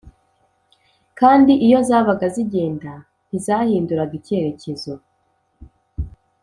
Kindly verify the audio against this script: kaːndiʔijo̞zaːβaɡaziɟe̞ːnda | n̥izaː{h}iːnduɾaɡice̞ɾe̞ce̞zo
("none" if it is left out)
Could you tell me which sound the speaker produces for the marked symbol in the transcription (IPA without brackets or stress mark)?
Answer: h